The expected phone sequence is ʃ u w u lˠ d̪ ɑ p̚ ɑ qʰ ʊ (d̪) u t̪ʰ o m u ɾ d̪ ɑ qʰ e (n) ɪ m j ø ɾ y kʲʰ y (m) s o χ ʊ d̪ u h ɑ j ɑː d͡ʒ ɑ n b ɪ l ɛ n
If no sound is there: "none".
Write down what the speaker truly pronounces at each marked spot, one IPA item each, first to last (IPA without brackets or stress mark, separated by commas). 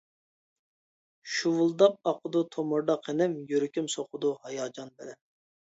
d̪, n, m